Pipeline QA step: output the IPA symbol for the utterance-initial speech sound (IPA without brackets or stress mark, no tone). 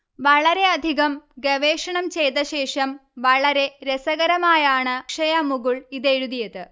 ʋ